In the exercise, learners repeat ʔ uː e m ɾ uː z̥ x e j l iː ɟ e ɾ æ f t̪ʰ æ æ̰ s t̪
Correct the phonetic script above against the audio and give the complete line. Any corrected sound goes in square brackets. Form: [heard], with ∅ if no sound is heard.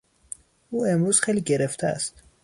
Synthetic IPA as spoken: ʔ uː e m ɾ uː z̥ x e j l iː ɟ e ɾ [e] f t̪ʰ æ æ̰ s t̪